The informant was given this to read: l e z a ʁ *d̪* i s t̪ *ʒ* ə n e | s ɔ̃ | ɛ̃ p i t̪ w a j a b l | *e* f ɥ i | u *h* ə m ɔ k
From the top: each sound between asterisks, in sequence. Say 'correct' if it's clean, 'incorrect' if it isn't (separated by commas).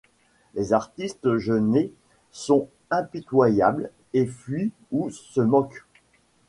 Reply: incorrect, correct, correct, incorrect